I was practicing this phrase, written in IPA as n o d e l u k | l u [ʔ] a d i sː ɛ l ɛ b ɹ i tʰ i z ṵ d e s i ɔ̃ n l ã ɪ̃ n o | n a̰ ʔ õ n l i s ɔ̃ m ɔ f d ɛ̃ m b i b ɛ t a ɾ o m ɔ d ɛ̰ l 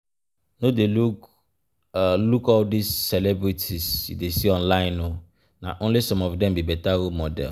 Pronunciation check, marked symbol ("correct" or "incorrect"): incorrect